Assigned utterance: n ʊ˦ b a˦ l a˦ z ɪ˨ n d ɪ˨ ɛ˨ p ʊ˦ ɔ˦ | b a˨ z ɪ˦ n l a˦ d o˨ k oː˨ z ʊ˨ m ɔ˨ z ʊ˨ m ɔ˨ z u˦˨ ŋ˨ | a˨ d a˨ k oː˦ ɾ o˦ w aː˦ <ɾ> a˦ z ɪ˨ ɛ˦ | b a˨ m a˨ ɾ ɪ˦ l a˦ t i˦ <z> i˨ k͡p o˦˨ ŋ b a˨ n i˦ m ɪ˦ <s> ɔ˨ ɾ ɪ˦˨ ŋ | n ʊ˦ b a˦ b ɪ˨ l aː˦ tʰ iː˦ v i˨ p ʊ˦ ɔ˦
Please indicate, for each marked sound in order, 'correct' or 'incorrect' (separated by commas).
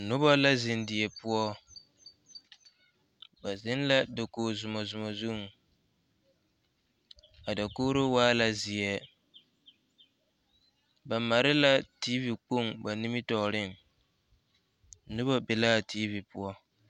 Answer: incorrect, incorrect, incorrect